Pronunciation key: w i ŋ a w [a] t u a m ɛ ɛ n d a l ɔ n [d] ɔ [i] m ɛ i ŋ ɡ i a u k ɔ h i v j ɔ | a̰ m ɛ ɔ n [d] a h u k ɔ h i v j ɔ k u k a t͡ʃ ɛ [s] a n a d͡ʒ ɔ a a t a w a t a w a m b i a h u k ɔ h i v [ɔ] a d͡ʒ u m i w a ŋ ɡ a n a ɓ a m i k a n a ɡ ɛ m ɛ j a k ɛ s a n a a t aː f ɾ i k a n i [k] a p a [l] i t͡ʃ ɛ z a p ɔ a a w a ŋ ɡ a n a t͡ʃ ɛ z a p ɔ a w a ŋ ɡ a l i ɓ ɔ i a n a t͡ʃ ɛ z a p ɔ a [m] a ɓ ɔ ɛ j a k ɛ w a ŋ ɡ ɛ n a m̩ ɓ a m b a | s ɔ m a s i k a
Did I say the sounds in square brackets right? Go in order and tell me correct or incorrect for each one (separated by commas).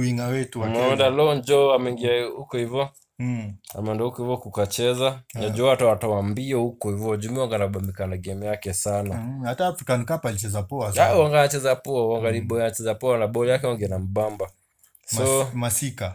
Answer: incorrect, incorrect, incorrect, correct, incorrect, correct, correct, correct, incorrect